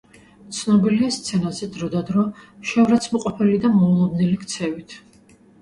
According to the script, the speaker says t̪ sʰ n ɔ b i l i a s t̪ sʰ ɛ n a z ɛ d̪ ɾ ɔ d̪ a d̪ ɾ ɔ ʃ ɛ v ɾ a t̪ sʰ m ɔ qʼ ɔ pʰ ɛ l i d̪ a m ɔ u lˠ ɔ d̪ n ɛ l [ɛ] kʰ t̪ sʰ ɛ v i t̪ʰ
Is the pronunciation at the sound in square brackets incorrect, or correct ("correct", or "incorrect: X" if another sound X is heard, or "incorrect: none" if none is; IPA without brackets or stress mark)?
incorrect: i